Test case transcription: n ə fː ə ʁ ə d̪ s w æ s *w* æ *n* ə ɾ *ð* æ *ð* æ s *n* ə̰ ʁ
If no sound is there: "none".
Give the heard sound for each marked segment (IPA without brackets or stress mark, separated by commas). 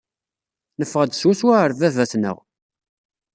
w, none, v, v, n